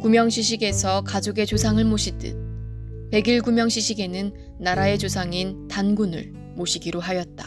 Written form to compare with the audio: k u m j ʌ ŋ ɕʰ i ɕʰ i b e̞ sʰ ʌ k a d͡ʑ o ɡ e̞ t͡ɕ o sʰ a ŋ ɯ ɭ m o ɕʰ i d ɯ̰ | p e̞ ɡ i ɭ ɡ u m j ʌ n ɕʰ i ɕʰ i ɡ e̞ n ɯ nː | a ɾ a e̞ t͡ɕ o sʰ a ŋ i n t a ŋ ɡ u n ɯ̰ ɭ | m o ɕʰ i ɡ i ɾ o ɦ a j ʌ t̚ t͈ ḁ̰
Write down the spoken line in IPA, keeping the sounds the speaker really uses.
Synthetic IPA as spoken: k u m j ʌ ŋ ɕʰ i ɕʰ i ɡ e̞ sʰ ʌ k a d͡ʑ o ɡ e̞ t͡ɕ o sʰ a ŋ ɯ ɭ m o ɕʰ i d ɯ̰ | p e̞ ɡ i ɭ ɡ u m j ʌ ŋ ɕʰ i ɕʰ i ɡ e̞ n ɯ nː | a ɾ a e̞ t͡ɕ o sʰ a ŋ i n t a n ɡ u n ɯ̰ ɭ | m o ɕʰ i ɡ i ɾ o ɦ a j ʌ t̚ t͈ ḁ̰